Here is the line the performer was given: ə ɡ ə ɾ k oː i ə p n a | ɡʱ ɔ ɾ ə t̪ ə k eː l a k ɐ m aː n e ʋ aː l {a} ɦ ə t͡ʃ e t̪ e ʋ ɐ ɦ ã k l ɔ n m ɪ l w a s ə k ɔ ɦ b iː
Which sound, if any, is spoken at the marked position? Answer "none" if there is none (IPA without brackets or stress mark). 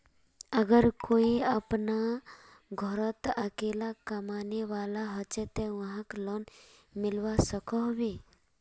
a